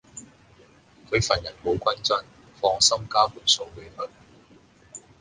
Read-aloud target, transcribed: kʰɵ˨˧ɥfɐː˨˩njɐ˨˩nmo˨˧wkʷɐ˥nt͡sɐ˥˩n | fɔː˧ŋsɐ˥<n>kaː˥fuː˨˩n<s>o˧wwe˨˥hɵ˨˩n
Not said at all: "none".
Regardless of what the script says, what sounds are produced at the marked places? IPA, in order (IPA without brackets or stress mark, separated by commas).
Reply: m, s